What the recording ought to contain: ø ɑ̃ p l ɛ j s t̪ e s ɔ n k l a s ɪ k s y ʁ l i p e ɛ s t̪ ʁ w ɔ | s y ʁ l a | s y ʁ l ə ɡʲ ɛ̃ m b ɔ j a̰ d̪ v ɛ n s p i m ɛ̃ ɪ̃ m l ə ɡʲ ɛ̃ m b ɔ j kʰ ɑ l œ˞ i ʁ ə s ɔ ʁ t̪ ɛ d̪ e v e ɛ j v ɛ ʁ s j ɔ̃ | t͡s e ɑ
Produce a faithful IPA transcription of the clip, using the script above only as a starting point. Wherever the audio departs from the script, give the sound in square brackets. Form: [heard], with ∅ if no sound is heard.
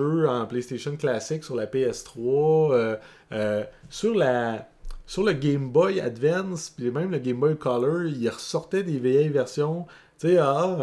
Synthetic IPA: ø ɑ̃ p l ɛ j s t̪ e [ʃ] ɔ n k l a s ɪ k s y ʁ l [a] p e ɛ s t̪ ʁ w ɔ | s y ʁ l a | s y ʁ l ə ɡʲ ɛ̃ m b ɔ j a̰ d̪ v ɛ n s p i m ɛ̃ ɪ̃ m l ə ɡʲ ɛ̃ m b ɔ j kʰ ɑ l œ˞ i ʁ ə s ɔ ʁ t̪ ɛ d̪ e v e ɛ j v ɛ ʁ s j ɔ̃ | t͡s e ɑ